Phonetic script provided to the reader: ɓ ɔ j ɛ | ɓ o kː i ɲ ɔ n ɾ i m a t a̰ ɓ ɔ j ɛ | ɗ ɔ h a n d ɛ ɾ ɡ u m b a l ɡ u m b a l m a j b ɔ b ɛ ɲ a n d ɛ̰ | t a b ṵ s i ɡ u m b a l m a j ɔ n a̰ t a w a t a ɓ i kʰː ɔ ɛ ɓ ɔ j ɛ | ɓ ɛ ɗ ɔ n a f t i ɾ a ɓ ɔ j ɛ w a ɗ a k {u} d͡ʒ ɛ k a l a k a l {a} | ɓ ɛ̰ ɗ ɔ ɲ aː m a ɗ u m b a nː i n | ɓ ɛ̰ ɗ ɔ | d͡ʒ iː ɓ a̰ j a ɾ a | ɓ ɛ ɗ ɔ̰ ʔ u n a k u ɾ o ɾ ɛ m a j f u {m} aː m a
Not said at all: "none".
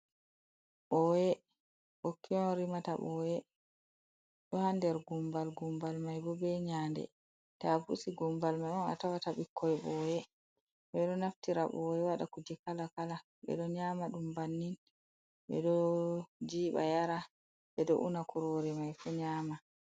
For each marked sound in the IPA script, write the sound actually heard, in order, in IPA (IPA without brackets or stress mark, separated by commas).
u, a, ɲ